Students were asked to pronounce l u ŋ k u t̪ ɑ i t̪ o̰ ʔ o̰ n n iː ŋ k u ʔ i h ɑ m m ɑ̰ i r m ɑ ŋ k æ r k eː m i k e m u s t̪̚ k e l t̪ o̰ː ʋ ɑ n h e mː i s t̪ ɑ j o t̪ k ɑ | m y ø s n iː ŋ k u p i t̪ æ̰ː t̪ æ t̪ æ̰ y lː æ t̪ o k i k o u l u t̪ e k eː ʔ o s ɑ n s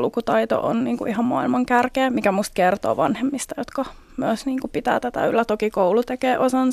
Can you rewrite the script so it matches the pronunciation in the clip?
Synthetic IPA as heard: l u k u t̪ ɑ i t̪ o̰ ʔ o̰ n n iː ŋ k u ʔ i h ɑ m m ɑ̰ i l m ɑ ŋ k æ r k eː m i k æ m u s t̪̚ k e r t̪ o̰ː ʋ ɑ n h e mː i s t̪ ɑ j o t̪ k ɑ | m y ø s n iː ŋ k u p i t̪ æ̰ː t̪ æ t̪ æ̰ y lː æ t̪ o k i k o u l u t̪ e k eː ʔ o s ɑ n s